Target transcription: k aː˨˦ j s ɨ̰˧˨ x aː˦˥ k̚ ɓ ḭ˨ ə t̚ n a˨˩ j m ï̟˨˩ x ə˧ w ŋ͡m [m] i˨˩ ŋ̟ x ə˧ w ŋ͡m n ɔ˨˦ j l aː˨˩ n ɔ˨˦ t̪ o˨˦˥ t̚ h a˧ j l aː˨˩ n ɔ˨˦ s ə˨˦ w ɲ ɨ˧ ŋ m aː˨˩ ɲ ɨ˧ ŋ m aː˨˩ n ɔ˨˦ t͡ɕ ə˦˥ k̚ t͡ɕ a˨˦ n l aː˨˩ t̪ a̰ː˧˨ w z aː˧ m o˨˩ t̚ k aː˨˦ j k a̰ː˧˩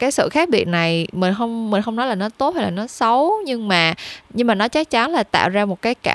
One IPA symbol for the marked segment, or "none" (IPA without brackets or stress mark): m